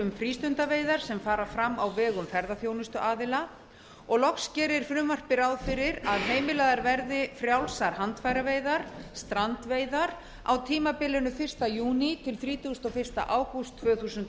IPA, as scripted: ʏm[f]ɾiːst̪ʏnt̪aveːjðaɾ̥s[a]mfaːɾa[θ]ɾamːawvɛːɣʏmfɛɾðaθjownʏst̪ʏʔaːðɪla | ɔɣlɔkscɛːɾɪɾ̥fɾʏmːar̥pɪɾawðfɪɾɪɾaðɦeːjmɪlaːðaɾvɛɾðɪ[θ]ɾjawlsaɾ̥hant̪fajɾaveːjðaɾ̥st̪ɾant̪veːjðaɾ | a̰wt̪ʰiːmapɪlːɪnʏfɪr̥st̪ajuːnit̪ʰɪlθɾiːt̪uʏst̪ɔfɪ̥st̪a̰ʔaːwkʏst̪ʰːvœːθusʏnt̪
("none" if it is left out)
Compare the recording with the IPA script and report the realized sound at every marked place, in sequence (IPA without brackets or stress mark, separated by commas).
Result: f, ɛ, f, f